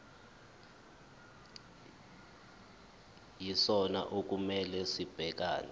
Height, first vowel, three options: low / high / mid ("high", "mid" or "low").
high